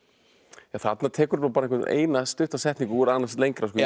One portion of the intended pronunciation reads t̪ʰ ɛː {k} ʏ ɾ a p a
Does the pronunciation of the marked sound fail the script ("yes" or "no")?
no